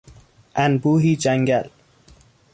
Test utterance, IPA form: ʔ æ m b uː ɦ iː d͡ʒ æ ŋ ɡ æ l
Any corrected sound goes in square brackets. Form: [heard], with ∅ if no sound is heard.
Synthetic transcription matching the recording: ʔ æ [n] b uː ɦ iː d͡ʒ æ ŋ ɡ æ l